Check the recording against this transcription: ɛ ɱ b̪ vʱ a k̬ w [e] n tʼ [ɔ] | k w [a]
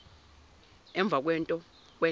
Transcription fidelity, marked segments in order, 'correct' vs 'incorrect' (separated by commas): incorrect, correct, incorrect